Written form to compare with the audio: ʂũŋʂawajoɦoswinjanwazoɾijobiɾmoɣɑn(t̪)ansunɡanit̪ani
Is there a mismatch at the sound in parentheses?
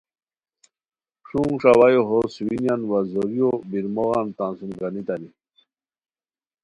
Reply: no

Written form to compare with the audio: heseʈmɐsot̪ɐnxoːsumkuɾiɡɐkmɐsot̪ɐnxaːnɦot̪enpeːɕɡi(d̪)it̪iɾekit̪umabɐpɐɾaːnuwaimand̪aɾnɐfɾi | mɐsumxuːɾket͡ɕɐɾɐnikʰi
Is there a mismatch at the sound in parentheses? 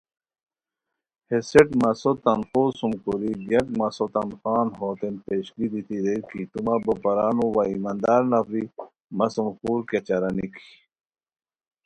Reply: no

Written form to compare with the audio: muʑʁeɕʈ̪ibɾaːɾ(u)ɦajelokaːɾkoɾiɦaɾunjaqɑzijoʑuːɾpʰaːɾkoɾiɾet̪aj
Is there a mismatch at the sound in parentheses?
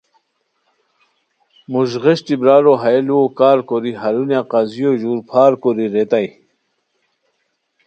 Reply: yes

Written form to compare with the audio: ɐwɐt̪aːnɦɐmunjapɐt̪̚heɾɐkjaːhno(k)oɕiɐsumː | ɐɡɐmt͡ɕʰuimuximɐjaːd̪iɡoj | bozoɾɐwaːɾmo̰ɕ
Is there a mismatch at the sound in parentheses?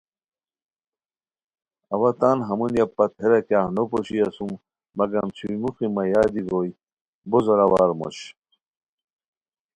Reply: yes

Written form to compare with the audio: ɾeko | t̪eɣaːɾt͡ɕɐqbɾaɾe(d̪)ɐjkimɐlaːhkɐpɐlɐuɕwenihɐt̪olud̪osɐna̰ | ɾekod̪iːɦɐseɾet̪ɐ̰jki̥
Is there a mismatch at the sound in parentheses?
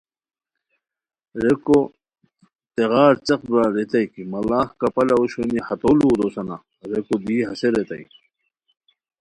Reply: yes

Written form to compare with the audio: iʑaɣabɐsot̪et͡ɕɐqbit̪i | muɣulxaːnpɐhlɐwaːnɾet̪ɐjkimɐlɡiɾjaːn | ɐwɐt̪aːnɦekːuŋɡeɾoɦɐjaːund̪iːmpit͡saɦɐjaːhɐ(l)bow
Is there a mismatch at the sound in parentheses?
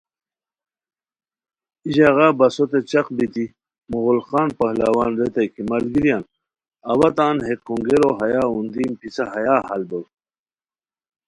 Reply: no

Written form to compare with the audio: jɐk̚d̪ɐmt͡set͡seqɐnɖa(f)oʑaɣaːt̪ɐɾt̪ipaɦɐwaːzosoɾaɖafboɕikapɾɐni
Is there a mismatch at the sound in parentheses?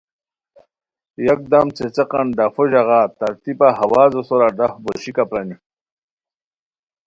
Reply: no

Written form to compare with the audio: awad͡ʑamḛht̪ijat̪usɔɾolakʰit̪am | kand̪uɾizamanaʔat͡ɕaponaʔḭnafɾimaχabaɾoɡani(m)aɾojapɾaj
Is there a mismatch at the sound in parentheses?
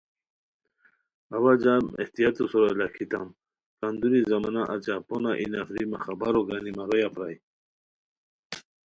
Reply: no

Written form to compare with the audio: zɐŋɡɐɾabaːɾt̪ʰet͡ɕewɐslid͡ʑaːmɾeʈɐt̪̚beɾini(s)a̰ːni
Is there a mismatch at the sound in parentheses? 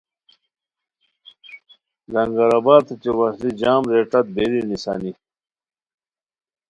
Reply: no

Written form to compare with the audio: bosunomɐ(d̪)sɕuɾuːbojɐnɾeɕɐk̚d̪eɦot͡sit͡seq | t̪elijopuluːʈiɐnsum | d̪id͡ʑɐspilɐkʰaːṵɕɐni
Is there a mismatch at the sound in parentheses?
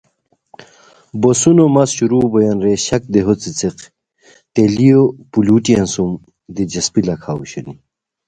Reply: yes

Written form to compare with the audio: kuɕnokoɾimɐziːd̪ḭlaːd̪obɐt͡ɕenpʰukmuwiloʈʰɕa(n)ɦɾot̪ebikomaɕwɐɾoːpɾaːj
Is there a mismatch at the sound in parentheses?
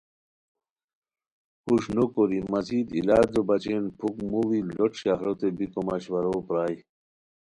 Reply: yes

